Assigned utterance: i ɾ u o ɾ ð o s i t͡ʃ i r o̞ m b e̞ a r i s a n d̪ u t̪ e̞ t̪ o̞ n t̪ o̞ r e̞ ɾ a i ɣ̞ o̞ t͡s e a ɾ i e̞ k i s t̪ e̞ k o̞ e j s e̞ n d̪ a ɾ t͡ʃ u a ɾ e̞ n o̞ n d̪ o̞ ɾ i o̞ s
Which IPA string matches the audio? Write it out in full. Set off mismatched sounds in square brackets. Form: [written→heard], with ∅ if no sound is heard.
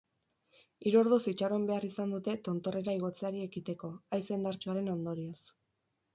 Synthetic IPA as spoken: i ɾ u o ɾ ð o s i t͡ʃ [i→a] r o̞ m b e̞ a r i s a n d̪ u t̪ e̞ t̪ o̞ n t̪ o̞ r e̞ ɾ a i ɣ̞ o̞ t͡s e a ɾ i e̞ k i [s→∅] t̪ e̞ k o̞ [e→a] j s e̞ n d̪ a ɾ t͡ʃ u a ɾ e̞ n o̞ n d̪ o̞ ɾ i o̞ s

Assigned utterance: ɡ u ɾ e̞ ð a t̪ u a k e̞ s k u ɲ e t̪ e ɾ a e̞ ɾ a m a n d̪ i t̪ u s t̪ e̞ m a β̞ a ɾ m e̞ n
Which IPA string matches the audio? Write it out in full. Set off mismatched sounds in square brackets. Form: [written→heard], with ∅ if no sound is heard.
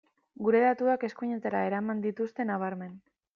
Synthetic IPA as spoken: ɡ u ɾ e̞ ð a t̪ u a k e̞ s k u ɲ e t̪ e ɾ a e̞ ɾ a m a n d̪ i t̪ u s t̪ e̞ [m→n] a β̞ a ɾ m e̞ n

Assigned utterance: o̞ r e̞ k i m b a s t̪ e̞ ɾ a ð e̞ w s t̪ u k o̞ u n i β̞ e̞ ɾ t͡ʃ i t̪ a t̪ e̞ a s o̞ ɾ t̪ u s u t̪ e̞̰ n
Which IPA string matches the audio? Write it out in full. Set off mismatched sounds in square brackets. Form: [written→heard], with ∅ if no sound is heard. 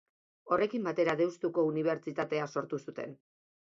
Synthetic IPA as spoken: o̞ r e̞ k i m b a [s→∅] t̪ e̞ ɾ a ð e̞ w s t̪ u k o̞ u n i β̞ e̞ ɾ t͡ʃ i t̪ a t̪ e̞ a s o̞ ɾ t̪ u s u t̪ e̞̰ n

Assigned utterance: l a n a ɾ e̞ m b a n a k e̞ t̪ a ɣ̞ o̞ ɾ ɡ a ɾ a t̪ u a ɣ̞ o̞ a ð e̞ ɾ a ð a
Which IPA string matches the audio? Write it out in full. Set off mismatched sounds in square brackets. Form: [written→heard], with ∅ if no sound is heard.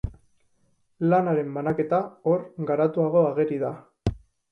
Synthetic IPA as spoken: l a n a ɾ e̞ m b a n a k e̞ t̪ a [ɣ̞→∅] o̞ ɾ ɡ a ɾ a t̪ u a ɣ̞ o̞ a [ð→ɣ] e̞ ɾ [a→i] ð a

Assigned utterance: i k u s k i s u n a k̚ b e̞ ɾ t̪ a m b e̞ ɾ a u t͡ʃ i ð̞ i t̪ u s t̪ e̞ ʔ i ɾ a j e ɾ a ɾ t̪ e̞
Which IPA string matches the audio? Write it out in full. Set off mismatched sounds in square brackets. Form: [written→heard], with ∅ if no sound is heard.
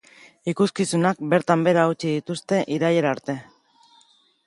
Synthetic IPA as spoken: i k u s k i s u n a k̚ b e̞ ɾ t̪ a m b e̞ ɾ a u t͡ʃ i ð̞ i t̪ u s t̪ e̞ ʔ i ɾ a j e ɾ a ɾ t̪ e̞

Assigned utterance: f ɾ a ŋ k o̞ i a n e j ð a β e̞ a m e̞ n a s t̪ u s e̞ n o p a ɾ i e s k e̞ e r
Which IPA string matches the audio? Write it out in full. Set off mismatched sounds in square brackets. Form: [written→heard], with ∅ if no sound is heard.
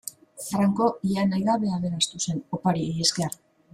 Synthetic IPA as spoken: f ɾ a ŋ k o̞ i a n [e→a] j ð a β e̞ a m e̞ n a s t̪ u s e̞ n o p a ɾ i e s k e̞ [e→a] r

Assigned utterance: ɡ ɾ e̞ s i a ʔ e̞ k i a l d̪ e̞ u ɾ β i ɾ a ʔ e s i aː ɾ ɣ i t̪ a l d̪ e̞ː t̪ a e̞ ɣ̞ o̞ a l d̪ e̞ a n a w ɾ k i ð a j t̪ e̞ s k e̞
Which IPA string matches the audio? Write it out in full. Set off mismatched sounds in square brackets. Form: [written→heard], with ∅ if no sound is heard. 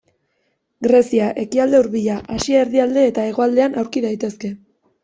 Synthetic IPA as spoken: ɡ ɾ e̞ s i a ʔ e̞ k i a l d̪ e̞ u ɾ β i [ɾ→ʎ] a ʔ [e→a] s i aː ɾ [ɣ→ð] i [t̪→∅] a l d̪ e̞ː t̪ a e̞ ɣ̞ o̞ a l d̪ e̞ a n a w ɾ k i ð a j t̪ e̞ s k e̞

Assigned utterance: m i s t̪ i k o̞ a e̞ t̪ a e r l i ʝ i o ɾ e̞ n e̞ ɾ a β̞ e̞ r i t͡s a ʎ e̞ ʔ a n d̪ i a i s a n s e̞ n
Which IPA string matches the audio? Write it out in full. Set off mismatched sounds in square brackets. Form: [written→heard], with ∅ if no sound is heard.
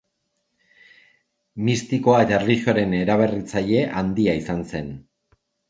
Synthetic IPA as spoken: m i s t̪ i k o̞ a e̞ t̪ a e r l i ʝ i o ɾ e̞ n e̞ ɾ a β̞ e̞ r i t͡s a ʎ e̞ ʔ a n d̪ i a i s a n s e̞ n

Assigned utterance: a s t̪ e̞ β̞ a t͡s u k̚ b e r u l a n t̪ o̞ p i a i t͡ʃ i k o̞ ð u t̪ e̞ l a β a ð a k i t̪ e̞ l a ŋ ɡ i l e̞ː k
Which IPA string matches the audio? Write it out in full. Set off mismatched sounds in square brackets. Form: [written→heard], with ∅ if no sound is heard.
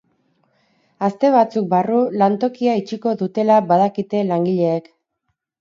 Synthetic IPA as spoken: a s t̪ e̞ β̞ a t͡s u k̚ b [e→a] r u l a n t̪ o̞ [p→k] i a i t͡ʃ i k o̞ ð u t̪ e̞ l a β a ð a k i t̪ e̞ l a ŋ ɡ i [l→ʎ] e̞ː k

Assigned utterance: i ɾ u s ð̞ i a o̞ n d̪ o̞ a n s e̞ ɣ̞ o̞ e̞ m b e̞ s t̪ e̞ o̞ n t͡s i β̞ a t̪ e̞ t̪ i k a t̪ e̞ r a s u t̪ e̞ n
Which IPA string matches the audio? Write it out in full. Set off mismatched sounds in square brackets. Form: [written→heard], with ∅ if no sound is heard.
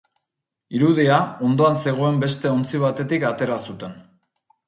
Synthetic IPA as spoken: i ɾ u [s→∅] ð̞ i a o̞ n d̪ o̞ a n s e̞ ɣ̞ o̞ e̞ m b e̞ s t̪ e̞ o̞ n t͡s i β̞ a t̪ e̞ t̪ i k a t̪ e̞ [r→ɾ] a s u t̪ e̞ n

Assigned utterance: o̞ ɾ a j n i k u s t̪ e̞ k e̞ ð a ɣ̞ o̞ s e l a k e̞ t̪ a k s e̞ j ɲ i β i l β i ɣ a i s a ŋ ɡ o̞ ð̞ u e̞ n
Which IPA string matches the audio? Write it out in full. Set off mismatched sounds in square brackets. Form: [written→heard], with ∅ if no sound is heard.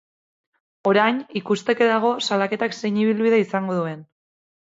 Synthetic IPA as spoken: o̞ ɾ a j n i k u s t̪ e̞ k e̞ ð a ɣ̞ o̞ s [e→a] l a k e̞ t̪ a k s e̞ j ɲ i β i l β i [ɣ→ð] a i s a ŋ ɡ o̞ ð̞ u e̞ n

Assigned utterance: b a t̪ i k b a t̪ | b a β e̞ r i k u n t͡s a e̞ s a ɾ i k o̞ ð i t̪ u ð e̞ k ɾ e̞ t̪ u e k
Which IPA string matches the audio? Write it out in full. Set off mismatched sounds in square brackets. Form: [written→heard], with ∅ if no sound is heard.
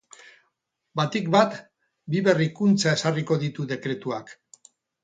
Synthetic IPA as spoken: b a t̪ i k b a t̪ | b [a→i] β e̞ r i k u n t͡s a e̞ s a [ɾ→r] i k o̞ ð i t̪ u ð e̞ k ɾ e̞ t̪ u [e→a] k

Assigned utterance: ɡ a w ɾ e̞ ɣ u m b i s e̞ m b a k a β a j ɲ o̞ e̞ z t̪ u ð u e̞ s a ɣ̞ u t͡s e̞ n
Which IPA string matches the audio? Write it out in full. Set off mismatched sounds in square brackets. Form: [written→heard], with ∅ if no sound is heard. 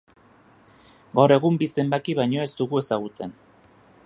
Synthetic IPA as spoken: ɡ a w ɾ e̞ ɣ u m b i s e̞ m b a k [a→i] β a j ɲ o̞ e̞ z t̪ u [ð→ɣ] u e̞ s a ɣ̞ u t͡s e̞ n

